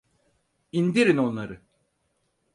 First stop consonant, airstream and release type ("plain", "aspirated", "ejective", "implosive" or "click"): plain